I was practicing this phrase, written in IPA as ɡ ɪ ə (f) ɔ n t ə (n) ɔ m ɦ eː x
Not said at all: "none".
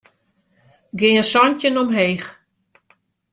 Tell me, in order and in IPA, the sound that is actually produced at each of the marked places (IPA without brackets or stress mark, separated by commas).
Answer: s, n